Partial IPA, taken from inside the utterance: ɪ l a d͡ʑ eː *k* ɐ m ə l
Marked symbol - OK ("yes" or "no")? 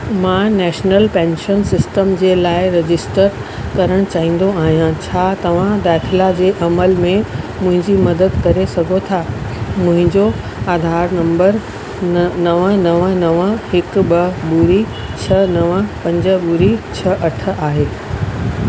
no